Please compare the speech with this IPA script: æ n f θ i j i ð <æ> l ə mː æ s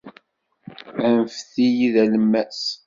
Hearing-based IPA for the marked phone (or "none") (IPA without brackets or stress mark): æ